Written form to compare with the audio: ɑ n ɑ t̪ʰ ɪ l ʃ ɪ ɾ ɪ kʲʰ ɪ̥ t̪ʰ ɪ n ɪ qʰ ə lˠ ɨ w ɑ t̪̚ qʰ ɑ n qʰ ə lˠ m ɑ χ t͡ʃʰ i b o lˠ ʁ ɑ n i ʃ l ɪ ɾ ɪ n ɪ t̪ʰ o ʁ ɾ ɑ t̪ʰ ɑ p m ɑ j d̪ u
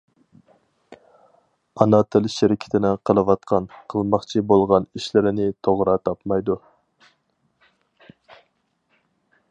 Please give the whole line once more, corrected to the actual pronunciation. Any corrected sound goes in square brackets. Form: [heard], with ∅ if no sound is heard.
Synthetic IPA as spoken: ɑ n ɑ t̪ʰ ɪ l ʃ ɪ ɾ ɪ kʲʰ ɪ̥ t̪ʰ ɪ n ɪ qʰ ə lˠ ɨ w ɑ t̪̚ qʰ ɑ n qʰ ə lˠ m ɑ χ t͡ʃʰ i b o lˠ ʁ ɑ n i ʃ l ɪ ɾ ɪ n ɪ t̪ʰ o ʁ ɾ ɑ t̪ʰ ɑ p m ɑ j d̪ u